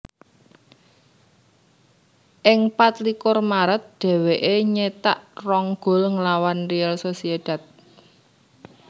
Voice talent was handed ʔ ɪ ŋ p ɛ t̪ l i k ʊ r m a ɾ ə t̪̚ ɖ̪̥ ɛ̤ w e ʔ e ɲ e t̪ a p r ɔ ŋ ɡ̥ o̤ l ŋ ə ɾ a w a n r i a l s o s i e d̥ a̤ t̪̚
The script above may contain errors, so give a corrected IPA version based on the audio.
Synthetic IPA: ʔ ɪ ŋ p a t̪ l i k ʊ r m a ɾ ə t̪̚ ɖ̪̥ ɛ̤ w e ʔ e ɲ e t̪ a ʔ r ɔ ŋ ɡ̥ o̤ l ŋ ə l a w a n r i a l s o s i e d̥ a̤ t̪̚